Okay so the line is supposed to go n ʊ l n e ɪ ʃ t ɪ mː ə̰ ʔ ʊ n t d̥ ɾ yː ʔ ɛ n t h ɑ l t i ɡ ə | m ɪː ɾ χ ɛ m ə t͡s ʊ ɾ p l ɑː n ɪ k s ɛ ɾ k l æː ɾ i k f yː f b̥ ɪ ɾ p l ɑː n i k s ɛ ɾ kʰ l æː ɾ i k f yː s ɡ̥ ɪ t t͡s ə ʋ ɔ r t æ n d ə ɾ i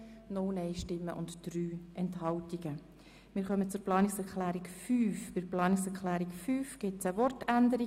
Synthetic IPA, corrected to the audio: n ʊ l n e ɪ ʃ t ɪ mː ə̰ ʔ ʊ n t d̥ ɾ yː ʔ ɛ n t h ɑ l t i ɡ ə | m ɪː ɾ χ œ m ə t͡s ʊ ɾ p l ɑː n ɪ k s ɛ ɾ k l æː ɾ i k f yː f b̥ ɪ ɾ p l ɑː n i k s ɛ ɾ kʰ l æː ɾ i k f yː f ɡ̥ ɪ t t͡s ə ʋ ɔ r t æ n d ə ɾ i